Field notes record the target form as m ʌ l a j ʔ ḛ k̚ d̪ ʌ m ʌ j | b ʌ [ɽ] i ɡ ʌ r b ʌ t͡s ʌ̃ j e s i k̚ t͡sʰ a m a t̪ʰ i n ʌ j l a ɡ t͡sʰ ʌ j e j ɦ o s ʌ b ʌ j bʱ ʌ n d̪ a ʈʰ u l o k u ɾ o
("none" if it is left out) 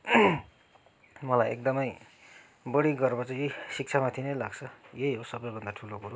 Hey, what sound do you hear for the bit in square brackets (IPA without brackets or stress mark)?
ɽ